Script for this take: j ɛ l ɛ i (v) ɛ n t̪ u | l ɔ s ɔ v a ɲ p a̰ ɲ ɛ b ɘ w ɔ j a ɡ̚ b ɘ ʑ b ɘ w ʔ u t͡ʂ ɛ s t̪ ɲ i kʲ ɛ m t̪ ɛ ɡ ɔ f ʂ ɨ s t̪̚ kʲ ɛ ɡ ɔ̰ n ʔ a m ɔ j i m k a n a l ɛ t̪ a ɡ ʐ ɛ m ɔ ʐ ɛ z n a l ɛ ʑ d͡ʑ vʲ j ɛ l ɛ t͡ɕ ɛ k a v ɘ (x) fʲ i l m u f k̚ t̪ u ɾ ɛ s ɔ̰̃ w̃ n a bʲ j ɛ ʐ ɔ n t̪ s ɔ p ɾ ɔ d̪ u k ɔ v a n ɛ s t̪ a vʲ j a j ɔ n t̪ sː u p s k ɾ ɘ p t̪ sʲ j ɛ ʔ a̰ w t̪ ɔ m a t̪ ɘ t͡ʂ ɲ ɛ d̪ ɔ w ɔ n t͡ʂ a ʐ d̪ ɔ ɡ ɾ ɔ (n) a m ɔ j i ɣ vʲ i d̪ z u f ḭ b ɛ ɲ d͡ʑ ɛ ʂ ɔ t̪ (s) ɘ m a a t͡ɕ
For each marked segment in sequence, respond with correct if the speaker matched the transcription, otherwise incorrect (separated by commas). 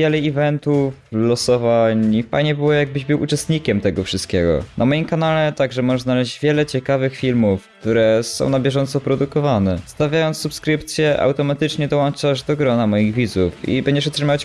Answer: correct, correct, correct, incorrect